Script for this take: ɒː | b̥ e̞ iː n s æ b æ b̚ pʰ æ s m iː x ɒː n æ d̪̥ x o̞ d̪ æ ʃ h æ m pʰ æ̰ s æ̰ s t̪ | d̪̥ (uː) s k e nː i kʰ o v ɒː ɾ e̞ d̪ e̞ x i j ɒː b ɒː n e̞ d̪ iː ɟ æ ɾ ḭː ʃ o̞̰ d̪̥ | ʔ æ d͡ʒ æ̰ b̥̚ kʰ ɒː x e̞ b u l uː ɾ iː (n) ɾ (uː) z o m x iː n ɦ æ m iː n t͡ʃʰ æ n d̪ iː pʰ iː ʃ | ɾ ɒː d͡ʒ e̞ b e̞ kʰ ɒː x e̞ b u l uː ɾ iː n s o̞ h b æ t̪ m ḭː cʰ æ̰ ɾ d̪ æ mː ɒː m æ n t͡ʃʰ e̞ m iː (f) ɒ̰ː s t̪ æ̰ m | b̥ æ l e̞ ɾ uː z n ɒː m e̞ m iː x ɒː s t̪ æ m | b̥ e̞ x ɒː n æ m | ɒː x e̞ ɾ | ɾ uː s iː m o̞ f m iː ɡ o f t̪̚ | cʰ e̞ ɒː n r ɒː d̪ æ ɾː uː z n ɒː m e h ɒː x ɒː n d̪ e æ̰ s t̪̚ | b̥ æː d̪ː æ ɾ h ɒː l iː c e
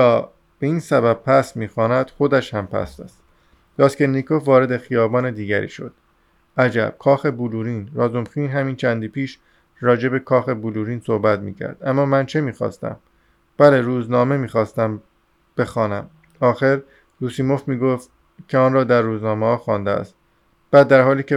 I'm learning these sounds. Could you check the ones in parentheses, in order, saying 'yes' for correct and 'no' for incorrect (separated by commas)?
no, yes, no, no